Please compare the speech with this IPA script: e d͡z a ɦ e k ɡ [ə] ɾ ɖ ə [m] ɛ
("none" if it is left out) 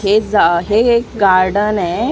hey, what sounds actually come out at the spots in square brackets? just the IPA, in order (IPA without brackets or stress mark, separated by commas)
a, n